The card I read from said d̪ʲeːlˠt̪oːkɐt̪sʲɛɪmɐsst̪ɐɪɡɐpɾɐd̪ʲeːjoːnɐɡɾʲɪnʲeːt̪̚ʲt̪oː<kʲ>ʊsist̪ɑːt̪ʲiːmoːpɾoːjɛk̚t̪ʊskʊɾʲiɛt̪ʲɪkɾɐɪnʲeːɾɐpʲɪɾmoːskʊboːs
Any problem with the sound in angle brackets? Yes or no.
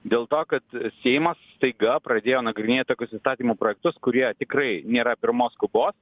no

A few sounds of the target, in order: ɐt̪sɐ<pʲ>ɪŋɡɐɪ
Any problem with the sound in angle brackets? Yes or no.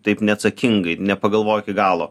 yes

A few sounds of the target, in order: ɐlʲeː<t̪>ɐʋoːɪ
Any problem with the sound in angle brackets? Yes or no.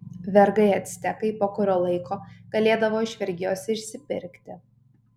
yes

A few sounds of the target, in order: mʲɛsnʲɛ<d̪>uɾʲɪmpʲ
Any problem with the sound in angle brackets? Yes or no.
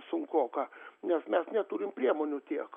yes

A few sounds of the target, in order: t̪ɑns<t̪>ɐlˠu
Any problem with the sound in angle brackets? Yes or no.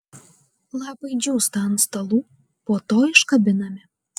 no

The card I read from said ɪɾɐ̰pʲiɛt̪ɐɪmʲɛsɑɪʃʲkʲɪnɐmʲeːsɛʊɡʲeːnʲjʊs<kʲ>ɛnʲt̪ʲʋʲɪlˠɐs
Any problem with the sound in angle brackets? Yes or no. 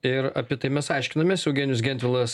yes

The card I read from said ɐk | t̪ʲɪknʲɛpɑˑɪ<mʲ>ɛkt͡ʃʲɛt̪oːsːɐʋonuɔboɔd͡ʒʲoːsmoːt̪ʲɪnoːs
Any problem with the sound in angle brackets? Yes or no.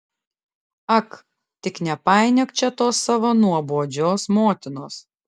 yes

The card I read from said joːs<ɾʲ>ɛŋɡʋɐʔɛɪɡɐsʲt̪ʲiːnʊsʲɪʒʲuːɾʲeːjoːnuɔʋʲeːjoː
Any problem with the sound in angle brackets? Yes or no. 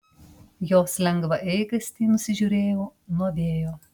yes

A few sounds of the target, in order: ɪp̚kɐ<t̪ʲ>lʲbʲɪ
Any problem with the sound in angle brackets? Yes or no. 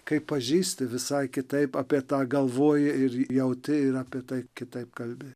yes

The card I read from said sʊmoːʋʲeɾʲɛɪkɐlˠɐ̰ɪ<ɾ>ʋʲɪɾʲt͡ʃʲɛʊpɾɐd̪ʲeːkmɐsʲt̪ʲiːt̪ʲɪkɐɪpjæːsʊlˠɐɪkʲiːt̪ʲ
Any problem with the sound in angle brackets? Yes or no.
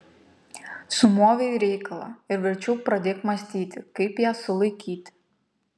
no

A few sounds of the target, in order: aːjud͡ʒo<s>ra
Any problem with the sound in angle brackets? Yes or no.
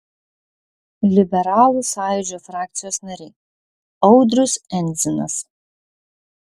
yes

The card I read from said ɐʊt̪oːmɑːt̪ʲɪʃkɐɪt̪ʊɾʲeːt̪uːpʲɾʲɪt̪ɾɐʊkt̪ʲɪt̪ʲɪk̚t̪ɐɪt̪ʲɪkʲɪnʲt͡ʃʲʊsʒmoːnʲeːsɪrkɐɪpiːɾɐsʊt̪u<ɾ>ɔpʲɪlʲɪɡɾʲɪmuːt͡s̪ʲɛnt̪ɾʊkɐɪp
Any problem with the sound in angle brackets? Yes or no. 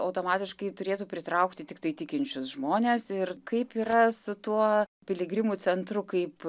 yes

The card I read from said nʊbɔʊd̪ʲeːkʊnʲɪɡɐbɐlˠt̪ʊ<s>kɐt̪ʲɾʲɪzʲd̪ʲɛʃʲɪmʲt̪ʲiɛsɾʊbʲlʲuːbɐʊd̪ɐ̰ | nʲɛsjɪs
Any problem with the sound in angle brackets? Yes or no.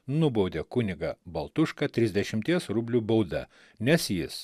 yes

